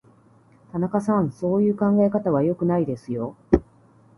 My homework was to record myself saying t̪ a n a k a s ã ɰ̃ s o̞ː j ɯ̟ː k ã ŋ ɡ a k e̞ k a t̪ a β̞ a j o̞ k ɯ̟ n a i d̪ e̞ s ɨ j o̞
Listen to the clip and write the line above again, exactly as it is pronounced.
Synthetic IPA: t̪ a n a k a s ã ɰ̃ s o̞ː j ɯ̟ː k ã ŋ ɡ a e̞ k a t̪ a β̞ a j o̞ k ɯ̟ n a i d̪ e̞ s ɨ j o̞

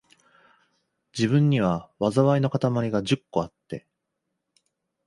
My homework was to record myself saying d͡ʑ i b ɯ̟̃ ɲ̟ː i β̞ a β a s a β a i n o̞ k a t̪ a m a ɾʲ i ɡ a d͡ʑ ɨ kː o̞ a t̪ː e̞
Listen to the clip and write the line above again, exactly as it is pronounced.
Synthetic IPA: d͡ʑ i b ɯ̟̃ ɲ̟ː i β̞ a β a z a β a i n o̞ k a t̪ a m a ɾʲ i ɡ a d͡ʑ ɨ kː o̞ a t̪ː e̞

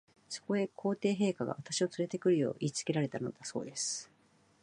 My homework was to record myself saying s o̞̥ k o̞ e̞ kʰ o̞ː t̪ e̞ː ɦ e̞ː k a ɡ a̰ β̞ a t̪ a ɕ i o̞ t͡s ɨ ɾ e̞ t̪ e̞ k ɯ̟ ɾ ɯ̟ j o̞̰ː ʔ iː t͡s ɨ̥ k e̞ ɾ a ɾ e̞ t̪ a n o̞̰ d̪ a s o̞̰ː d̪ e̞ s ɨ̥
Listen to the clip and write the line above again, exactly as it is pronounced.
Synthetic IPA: s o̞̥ k o̞ e̞ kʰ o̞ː t̪ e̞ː ɦ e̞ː k a ɡ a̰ β̞ a t̪ a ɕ i o̞ t͡s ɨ ɾ e̞ t̪ e̞ k ɯ̟ ɾ ɯ̟ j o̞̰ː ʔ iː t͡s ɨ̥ k e̞ ɾ a ɾ e̞ t̪ a n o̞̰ d̪ a s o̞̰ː d̪ e̞ s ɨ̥

